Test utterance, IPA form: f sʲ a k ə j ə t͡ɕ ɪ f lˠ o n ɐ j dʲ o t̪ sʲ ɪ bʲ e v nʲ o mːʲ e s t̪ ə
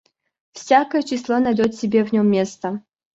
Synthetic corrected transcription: f sʲ a k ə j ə t͡ɕ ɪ s lˠ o n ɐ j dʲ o t̪ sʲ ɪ bʲ e v nʲ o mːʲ e s t̪ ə